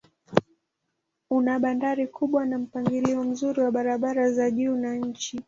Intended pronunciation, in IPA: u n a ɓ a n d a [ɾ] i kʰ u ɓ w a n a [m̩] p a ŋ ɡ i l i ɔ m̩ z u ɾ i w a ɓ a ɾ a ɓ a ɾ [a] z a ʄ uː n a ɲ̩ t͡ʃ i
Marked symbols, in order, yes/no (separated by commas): yes, yes, yes